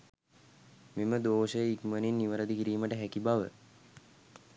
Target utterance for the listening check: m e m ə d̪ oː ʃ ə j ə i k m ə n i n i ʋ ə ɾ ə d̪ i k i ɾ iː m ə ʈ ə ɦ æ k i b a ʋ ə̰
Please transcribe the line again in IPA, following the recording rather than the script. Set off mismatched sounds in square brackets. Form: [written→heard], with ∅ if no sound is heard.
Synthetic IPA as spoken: m e m ə d̪ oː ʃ ə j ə i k m ə n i [n→nː] i ʋ ə ɾ ə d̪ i k i ɾ iː m ə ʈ ə ɦ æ k i b a ʋ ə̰